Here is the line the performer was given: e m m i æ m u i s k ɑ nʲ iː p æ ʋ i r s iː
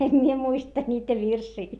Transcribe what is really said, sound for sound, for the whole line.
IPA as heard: e m m i e m u i s t ɑ nʲ iː t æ ʋ i r s iː